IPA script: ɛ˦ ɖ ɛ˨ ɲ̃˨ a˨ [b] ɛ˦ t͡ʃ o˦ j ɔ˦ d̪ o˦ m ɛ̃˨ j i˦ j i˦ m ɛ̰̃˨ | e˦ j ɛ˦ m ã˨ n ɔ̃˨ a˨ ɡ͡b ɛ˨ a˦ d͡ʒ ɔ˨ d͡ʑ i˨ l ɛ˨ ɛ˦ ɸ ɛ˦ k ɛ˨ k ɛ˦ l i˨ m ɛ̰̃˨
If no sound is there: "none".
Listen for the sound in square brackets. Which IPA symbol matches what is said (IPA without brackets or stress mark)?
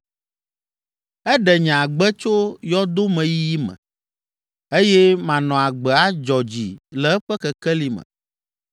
ɡ͡b